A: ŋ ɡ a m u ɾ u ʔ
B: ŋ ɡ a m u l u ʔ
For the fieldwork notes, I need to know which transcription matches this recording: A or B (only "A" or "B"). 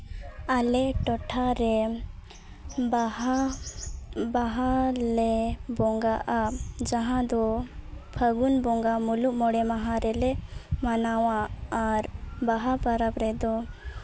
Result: B